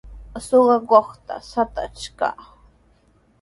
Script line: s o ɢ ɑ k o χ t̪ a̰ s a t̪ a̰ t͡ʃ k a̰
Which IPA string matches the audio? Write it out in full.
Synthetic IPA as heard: s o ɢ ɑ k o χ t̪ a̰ s a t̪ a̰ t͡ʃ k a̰

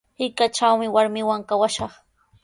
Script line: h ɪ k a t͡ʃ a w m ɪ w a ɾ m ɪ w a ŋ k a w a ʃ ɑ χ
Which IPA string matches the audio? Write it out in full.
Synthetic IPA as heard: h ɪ k a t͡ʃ a w m ɪ w a ɾ m ɪ w a ŋ k a w a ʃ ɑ χ

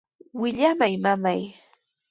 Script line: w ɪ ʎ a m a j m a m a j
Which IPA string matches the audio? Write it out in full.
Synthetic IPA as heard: w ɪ ʎ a m a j m a m a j

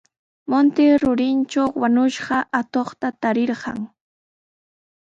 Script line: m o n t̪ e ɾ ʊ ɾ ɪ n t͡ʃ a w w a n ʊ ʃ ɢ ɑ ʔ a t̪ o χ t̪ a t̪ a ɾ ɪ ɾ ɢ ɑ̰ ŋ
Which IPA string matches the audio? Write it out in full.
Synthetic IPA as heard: m o n t̪ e ɾ ʊ ɾ ɪ n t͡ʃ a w w a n ʊ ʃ ɢ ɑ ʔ a t̪ o χ t̪ a t̪ a ɾ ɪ ɾ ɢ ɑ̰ ŋ

